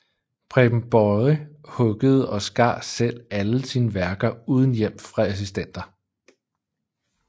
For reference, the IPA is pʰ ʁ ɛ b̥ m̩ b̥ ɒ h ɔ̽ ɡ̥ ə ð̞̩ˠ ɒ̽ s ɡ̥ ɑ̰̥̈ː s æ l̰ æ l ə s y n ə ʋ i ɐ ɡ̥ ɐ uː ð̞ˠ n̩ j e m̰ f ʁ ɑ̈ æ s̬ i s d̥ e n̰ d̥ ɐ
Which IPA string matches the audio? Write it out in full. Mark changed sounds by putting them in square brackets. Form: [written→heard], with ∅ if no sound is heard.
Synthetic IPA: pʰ ʁ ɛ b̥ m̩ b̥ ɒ h ɔ̽ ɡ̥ ə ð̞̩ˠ ɒ̽ s ɡ̥ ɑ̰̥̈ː s [æ→e] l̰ æ l ə s [y→i] n ə ʋ [i→æ] ɐ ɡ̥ ɐ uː ð̞ˠ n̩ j e m̰ f ʁ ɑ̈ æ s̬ i s d̥ e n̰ d̥ ɐ